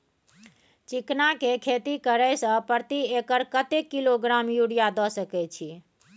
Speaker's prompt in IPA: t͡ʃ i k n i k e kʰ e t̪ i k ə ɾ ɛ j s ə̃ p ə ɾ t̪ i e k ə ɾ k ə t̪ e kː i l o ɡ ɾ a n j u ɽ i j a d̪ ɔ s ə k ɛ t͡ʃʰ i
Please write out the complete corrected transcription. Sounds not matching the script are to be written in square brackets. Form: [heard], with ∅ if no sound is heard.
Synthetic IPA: t͡ʃ i k n [a] k e kʰ e t̪ i k ə ɾ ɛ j s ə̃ p ə ɾ t̪ i e k ə ɾ k ə t̪ e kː i l o ɡ ɾ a [m] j u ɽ i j a d̪ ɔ s ə k ɛ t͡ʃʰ i